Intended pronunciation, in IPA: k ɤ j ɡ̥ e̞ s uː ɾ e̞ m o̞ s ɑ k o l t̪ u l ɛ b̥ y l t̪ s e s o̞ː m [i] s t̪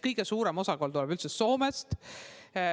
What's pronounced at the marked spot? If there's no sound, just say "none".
e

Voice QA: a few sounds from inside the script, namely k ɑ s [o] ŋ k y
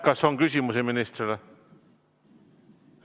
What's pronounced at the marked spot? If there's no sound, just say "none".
o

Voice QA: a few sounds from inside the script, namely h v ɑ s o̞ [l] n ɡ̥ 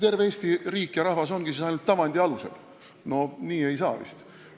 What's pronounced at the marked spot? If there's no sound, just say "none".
none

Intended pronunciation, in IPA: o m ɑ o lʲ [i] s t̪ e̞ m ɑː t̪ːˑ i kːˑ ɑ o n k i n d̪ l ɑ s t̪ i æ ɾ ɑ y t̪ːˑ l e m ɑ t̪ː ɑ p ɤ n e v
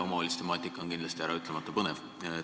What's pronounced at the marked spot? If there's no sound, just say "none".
i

